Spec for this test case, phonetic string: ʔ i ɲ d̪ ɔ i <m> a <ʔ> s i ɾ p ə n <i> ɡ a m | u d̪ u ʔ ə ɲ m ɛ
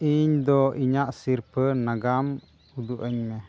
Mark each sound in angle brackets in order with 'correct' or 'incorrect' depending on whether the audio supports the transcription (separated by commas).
incorrect, correct, incorrect